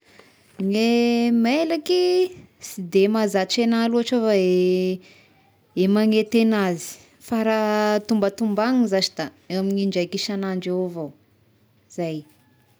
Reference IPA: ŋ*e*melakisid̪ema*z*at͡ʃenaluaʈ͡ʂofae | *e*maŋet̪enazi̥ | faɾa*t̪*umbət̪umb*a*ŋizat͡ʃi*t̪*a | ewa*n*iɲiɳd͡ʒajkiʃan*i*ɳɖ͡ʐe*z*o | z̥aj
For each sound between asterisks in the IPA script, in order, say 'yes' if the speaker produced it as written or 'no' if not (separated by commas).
yes, yes, yes, yes, yes, no, no, no, no